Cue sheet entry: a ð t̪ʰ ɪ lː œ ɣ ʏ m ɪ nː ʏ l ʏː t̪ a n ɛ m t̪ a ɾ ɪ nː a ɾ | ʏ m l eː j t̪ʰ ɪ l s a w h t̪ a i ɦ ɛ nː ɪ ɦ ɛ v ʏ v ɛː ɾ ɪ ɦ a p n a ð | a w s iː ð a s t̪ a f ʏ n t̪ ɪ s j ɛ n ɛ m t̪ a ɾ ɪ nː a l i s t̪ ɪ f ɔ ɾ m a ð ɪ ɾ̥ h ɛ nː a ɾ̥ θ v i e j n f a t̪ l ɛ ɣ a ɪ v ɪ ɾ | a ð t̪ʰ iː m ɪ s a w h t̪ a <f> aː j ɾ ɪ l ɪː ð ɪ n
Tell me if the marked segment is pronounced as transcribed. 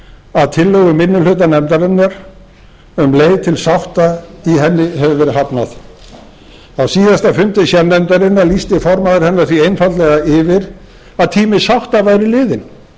no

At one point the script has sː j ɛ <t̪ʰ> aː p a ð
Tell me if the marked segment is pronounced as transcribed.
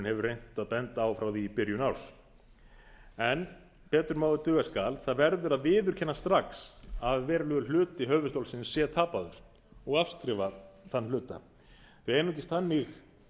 yes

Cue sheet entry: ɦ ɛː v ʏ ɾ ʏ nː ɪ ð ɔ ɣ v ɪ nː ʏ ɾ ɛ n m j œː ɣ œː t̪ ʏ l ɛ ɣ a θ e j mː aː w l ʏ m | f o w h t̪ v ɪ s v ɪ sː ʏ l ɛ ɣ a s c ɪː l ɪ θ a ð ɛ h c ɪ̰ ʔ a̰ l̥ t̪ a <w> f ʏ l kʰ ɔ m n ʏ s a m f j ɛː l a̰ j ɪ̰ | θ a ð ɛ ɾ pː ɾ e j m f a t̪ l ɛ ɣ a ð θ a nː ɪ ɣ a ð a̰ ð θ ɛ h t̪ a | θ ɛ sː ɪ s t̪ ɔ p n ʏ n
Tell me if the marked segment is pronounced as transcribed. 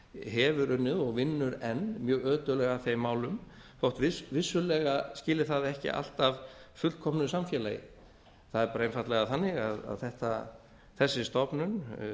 no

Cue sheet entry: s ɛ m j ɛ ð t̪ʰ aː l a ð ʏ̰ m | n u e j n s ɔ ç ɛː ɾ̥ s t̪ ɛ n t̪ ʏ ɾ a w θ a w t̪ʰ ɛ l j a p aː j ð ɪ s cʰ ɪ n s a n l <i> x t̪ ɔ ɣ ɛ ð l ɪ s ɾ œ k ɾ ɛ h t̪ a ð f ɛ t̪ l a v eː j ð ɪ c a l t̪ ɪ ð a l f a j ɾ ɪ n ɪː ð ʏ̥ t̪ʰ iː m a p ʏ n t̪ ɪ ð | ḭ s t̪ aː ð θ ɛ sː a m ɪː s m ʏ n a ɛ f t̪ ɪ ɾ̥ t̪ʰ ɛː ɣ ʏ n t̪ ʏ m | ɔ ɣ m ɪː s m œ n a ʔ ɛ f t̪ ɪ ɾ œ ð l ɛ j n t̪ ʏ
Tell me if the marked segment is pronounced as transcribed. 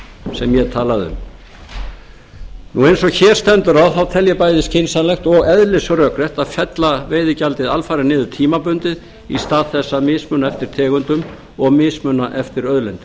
no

